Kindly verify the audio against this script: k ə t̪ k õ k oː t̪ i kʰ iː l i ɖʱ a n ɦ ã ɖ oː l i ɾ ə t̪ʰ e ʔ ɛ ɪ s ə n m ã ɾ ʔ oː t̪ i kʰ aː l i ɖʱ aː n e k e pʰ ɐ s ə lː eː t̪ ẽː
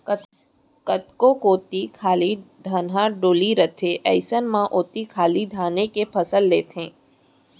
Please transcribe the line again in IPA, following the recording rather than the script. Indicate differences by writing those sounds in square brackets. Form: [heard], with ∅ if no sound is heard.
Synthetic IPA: k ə t̪ k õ k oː t̪ i kʰ [aː] l i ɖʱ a n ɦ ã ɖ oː l i ɾ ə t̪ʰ e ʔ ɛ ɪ s ə n m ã [∅] ʔ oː t̪ i kʰ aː l i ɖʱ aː n e k e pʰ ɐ s ə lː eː t̪ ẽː